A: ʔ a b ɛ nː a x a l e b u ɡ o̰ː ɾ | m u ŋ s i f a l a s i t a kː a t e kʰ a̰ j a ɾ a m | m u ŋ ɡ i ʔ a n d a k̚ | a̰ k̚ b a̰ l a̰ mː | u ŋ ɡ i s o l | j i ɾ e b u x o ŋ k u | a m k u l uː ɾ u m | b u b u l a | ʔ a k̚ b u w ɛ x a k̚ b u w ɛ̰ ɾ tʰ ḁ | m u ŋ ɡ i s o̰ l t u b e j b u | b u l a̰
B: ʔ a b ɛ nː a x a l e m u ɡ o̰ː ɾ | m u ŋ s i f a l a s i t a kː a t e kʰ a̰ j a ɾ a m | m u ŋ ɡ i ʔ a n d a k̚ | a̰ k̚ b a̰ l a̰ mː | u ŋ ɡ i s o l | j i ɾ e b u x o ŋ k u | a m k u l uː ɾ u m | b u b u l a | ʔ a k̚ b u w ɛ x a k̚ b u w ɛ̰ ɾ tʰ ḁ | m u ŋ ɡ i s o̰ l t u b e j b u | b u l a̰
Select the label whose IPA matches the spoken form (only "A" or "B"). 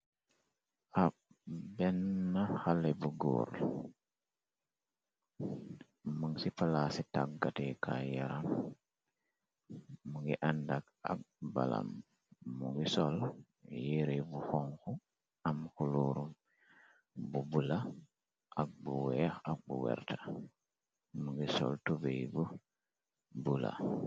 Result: A